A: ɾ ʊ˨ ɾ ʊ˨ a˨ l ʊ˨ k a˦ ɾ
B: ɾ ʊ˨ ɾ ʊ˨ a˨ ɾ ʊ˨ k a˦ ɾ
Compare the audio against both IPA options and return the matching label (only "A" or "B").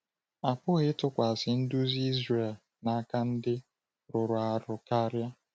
B